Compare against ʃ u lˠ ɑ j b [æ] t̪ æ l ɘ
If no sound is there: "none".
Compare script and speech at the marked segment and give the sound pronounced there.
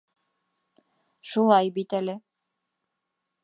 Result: i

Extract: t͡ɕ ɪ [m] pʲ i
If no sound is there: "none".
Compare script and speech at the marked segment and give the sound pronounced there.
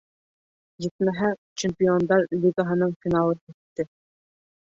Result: m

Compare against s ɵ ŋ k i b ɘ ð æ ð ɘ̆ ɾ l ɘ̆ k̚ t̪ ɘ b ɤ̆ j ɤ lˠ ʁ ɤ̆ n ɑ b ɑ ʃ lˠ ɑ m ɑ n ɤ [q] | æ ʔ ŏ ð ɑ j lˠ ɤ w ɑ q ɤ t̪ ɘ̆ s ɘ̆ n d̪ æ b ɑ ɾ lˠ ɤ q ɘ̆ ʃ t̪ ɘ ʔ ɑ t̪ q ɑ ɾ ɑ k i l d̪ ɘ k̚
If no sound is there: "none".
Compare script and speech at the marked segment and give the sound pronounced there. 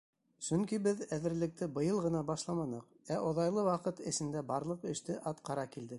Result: q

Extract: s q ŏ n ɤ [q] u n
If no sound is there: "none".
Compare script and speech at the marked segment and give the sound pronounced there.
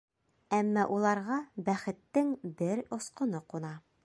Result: q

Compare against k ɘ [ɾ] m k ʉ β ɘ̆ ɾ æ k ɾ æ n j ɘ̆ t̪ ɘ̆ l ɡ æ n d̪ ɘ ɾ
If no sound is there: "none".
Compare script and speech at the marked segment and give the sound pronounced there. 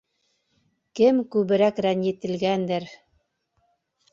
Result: none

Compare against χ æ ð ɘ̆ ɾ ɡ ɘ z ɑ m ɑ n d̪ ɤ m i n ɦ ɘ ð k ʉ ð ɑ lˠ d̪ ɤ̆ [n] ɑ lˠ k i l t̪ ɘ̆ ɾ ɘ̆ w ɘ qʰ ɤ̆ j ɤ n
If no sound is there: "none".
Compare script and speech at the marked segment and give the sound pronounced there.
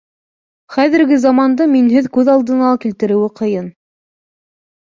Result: n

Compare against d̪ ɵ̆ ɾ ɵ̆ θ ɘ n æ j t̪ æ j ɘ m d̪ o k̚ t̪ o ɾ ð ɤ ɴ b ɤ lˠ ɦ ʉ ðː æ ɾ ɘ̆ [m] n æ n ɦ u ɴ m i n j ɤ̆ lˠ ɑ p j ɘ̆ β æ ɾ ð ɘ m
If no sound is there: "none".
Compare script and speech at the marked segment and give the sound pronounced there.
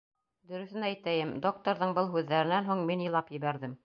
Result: none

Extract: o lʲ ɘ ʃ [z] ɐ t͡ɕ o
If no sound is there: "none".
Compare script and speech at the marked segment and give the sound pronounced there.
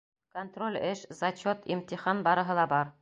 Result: z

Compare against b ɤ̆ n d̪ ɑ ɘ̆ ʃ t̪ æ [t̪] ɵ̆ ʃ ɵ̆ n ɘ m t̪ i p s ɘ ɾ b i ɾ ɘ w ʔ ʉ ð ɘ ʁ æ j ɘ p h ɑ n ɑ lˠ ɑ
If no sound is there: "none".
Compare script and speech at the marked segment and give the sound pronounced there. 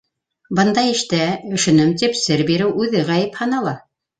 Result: none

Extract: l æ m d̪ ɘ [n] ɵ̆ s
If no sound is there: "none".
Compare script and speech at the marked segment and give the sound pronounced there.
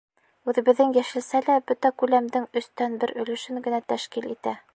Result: ŋ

